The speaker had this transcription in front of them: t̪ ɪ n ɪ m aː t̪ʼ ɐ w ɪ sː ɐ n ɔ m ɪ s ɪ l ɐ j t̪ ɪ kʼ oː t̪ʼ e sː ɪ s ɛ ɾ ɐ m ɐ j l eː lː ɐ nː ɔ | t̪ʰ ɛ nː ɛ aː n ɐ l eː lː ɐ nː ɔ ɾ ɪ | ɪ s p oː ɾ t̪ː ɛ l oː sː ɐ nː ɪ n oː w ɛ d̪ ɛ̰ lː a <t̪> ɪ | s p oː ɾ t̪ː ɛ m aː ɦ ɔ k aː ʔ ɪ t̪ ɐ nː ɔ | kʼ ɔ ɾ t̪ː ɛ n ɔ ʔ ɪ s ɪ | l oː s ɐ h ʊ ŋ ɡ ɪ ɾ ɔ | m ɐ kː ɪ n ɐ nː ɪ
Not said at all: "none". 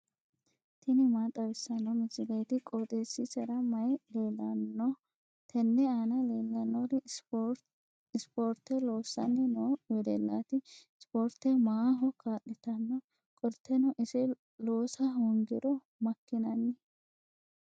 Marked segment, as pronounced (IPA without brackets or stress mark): t̪